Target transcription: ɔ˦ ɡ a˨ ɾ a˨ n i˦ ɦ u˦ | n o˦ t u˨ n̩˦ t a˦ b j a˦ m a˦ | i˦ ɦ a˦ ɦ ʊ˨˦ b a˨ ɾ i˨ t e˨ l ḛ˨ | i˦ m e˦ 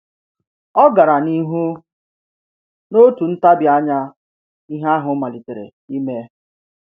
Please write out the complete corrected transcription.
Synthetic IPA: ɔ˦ ɡ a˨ ɾ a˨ n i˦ ɦ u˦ | n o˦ t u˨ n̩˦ t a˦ b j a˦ ɲ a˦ | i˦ ɦ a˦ ɦ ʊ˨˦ m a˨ l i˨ t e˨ ɾ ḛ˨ | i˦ m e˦

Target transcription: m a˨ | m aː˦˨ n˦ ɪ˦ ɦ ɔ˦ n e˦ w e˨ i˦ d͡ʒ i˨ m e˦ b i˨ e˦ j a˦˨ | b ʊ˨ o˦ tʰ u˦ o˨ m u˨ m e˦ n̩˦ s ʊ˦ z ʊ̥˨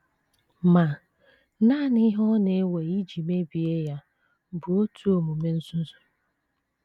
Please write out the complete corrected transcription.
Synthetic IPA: m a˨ | n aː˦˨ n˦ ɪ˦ ɦ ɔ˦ n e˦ w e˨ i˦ d͡ʒ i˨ m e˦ b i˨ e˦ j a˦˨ | b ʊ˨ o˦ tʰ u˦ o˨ m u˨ m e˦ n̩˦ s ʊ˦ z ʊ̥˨

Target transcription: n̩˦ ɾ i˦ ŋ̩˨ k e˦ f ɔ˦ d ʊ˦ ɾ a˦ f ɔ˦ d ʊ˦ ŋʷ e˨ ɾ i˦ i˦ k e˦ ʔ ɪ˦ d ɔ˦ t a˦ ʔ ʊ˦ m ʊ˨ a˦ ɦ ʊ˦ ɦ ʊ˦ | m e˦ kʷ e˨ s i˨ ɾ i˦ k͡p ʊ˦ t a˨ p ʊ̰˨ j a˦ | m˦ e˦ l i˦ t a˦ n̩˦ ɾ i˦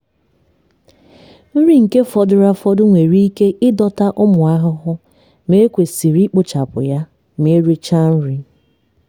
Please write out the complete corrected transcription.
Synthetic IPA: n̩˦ ɾ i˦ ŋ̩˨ k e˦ f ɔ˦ d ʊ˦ ɾ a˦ f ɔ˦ d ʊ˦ ŋʷ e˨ ɾ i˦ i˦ k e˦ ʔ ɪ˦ d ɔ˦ t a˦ ʔ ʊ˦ m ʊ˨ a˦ ɦ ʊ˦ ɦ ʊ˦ | m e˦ kʷ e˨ s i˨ ɾ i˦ k͡p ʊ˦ t͡ʃ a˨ p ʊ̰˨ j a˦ | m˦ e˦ ɾ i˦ t͡ʃ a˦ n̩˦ ɾ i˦

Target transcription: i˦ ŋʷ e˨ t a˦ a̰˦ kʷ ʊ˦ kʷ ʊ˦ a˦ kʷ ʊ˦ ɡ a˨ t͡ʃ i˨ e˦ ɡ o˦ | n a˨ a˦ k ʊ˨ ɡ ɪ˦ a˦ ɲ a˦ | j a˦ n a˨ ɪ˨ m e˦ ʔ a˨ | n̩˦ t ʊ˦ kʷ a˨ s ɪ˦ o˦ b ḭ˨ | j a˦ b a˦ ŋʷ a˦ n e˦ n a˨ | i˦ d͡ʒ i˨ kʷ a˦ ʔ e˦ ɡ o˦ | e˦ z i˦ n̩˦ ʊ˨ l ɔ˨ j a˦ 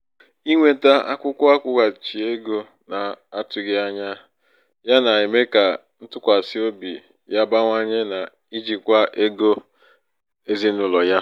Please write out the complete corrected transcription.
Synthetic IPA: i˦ ŋʷ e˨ t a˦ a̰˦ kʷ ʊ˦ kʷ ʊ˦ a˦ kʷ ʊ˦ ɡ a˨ t͡ʃ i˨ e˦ ɡ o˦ | n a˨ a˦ t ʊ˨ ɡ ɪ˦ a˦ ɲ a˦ | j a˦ n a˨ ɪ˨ m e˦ k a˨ | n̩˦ t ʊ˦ kʷ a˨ s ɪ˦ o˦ b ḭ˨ | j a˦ b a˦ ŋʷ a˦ ɲ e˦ n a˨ | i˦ d͡ʒ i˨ kʷ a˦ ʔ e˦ ɡ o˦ | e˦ z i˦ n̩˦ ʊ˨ l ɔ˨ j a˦

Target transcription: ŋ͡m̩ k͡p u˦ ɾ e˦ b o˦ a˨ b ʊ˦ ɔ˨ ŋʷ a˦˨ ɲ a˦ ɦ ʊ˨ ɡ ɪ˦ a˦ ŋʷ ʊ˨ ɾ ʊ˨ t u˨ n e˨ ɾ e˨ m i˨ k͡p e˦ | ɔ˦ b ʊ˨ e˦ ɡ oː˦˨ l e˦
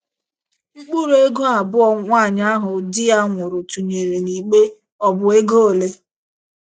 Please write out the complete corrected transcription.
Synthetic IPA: ŋ͡m̩ k͡p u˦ ɾ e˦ ɡ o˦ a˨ b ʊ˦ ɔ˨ ŋʷ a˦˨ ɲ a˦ ɦ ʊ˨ d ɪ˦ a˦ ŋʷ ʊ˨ ɾ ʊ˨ t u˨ ɲ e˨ ɾ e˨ n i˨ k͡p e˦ | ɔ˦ b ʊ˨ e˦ ɡ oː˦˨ l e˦

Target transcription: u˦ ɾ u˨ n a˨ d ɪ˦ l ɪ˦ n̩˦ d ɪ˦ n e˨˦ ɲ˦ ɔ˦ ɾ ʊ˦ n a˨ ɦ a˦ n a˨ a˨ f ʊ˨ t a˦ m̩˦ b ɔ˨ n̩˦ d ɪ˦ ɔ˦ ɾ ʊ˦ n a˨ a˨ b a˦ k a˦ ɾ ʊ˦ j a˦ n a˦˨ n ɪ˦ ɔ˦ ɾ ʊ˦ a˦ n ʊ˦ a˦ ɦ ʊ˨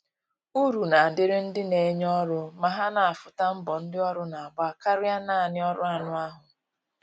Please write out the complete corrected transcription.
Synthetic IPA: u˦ ɾ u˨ n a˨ d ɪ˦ ɾ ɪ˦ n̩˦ d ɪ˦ n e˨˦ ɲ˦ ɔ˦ ɾ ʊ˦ m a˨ ɦ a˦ n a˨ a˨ f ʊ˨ t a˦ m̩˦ b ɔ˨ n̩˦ d ɪ˦ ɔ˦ ɾ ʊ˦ n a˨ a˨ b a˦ k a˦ ɾ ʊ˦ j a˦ n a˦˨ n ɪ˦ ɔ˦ ɾ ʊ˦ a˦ n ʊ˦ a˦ ɦ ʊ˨

